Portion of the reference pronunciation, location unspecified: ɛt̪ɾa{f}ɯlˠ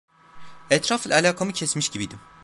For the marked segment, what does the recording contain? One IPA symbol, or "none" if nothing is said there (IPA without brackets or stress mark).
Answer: f